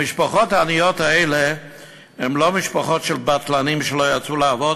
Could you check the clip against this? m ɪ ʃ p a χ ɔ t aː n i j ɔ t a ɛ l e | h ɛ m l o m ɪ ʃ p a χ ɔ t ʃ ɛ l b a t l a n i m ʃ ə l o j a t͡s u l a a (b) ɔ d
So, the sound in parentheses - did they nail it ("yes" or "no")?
no